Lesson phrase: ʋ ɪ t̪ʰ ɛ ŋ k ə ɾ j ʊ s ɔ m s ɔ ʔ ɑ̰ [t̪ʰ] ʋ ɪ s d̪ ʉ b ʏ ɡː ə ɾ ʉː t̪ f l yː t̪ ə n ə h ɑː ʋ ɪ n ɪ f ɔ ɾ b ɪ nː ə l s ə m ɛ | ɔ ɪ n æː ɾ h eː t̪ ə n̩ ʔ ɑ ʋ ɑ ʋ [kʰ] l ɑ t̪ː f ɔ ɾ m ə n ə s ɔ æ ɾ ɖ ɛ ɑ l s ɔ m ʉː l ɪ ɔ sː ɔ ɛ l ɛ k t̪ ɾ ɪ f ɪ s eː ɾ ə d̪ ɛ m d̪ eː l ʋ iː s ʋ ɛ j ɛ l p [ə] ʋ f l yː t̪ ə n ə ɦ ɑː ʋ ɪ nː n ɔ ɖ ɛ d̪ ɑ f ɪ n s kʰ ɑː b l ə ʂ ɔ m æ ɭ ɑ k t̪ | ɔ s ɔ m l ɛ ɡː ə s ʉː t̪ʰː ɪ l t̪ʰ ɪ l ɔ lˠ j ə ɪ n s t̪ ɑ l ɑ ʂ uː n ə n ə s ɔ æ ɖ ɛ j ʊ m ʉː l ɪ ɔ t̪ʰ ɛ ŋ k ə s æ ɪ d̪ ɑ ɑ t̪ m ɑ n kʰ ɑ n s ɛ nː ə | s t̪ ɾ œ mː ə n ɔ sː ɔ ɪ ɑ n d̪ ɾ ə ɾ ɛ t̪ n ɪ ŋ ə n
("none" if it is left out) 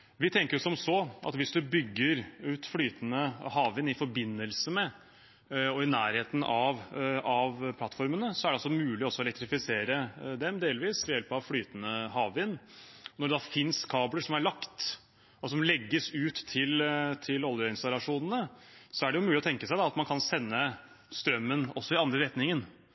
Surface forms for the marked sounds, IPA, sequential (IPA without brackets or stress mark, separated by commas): t̪, pʰ, ɑ